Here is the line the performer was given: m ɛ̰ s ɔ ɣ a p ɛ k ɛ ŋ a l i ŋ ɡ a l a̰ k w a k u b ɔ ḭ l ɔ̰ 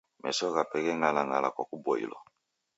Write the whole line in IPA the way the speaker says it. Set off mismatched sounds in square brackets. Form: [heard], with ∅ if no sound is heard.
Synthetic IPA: m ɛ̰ s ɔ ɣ a p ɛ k ɛ ŋ a l [a] ŋ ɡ a l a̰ k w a k u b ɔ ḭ l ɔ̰